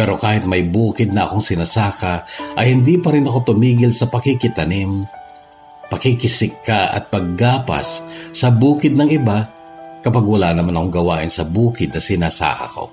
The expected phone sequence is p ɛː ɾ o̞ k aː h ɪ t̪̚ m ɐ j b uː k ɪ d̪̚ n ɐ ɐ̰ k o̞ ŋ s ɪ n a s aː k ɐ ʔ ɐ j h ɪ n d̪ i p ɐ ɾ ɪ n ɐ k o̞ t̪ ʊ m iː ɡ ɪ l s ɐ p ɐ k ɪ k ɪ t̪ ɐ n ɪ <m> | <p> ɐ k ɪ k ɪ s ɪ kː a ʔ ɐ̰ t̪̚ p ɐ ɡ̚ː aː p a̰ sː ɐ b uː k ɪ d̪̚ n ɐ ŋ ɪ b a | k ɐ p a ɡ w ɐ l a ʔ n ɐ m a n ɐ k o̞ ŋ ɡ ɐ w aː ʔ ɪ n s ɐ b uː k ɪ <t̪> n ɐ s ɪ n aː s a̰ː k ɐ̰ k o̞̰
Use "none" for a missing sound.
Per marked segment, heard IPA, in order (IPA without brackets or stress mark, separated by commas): m, p, d̪